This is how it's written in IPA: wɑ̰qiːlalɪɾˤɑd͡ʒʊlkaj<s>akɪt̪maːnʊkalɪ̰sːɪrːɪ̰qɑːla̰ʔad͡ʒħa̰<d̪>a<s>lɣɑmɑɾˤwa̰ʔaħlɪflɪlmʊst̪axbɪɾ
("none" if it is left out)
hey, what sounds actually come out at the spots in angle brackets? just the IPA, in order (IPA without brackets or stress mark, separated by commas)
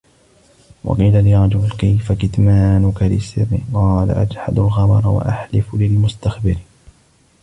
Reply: f, d̪, none